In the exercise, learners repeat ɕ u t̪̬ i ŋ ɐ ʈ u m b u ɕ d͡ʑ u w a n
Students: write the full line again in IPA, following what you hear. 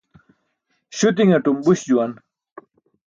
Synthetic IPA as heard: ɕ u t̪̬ i ŋ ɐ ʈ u m b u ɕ d͡ʑ u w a n